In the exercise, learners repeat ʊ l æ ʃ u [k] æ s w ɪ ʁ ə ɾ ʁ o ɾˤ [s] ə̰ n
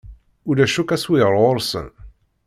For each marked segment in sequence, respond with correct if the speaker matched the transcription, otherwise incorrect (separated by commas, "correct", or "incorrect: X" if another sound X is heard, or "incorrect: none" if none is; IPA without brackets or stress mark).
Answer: correct, correct